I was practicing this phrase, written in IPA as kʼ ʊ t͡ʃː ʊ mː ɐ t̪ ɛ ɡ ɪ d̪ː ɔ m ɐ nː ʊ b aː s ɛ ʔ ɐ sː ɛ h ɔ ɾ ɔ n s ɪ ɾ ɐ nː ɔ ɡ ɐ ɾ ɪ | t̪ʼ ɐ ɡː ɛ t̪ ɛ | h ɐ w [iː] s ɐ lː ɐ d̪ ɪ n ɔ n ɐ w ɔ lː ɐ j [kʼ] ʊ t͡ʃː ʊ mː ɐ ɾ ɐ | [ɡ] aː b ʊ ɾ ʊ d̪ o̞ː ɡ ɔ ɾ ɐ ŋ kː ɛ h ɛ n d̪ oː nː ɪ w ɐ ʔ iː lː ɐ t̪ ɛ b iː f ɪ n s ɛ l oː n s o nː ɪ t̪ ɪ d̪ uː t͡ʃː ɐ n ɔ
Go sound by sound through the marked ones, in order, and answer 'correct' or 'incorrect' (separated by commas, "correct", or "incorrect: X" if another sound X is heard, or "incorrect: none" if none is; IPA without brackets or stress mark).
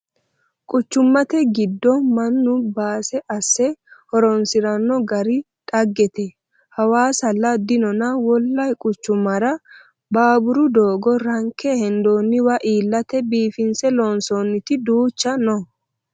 incorrect: aː, correct, incorrect: b